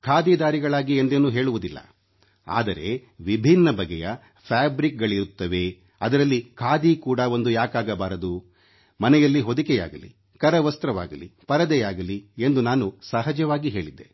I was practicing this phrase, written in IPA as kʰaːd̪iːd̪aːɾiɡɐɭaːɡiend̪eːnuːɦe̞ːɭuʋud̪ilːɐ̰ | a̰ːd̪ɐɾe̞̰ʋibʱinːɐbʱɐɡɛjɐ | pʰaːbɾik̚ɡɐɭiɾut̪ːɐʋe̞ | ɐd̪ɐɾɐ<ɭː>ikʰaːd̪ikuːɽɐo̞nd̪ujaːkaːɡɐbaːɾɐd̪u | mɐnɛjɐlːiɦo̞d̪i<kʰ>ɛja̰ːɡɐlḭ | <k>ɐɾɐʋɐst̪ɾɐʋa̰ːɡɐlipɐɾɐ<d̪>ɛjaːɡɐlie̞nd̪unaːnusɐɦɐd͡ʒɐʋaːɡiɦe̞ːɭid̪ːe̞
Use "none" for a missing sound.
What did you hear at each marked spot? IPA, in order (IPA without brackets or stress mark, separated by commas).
lː, k, k, d̪